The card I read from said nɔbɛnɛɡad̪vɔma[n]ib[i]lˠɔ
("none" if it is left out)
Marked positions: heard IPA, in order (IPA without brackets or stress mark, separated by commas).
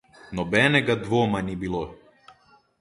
n, i